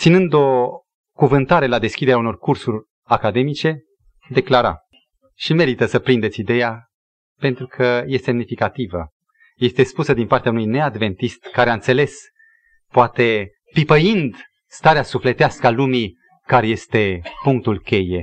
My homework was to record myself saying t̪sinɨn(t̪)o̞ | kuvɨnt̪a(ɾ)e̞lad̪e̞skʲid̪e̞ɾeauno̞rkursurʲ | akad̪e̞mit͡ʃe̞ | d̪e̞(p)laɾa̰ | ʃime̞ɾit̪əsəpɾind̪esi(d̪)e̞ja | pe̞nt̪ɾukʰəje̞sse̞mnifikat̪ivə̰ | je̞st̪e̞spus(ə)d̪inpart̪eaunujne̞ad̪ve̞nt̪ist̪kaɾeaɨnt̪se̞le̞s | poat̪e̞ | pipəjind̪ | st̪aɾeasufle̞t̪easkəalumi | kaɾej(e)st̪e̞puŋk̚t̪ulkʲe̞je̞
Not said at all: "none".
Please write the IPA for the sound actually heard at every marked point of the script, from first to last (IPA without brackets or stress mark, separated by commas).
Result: d̪, ɾ, k, d̪, ə, e